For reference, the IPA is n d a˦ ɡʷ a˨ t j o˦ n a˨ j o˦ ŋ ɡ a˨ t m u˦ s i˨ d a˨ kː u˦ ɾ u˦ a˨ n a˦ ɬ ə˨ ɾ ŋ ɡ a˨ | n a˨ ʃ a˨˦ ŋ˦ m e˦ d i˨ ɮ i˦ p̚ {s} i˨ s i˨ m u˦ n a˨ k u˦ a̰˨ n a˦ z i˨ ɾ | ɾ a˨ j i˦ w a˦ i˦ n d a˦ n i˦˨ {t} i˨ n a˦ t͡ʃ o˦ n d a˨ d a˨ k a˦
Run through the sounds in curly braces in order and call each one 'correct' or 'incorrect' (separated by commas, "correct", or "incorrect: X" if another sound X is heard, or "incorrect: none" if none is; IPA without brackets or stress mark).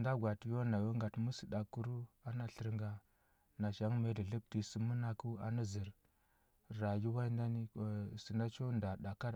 incorrect: t, incorrect: s